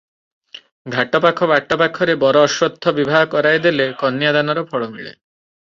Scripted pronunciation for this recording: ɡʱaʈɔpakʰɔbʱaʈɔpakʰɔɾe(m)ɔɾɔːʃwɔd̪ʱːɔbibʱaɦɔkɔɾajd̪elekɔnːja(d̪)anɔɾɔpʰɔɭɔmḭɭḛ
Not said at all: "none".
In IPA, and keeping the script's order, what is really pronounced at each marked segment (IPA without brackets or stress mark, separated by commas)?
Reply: b, d̪